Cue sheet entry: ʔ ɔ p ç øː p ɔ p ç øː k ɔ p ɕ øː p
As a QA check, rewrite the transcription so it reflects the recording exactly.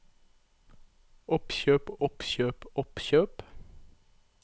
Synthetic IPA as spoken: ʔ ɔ p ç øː p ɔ p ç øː p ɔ p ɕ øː p